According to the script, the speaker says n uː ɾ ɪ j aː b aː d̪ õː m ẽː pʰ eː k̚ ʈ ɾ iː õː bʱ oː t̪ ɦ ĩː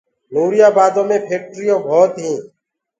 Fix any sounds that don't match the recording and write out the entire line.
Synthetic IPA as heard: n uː ɾ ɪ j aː b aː d̪ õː m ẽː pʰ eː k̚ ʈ ɾ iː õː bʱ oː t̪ ɦ ĩː